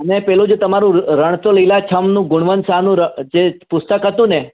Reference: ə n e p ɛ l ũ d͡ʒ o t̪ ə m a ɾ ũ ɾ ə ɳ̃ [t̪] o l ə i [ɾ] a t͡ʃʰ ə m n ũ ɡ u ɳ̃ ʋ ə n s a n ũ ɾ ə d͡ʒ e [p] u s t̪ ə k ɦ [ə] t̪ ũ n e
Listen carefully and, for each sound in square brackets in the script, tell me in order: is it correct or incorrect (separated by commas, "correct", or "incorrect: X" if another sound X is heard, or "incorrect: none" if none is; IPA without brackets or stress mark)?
correct, incorrect: l, correct, correct